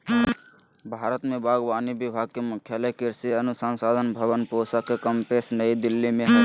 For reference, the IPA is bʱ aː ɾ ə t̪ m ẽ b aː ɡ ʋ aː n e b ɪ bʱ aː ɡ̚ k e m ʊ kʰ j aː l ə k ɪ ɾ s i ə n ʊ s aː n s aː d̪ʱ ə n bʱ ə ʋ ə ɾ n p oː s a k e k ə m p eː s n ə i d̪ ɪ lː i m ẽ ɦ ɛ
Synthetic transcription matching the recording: bʱ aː ɾ ə t̪ m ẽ b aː ɡ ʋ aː n i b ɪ bʱ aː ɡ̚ k e m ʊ kʰ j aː l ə k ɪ ɾ s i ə n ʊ s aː n s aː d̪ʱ ə n bʱ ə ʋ ə n p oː s a k e k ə m p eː s n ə i d̪ ɪ lː i m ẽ ɦ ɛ